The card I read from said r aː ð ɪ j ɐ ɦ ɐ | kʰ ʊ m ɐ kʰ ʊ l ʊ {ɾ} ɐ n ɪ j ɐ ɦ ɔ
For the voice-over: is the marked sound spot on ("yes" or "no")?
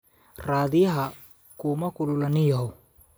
no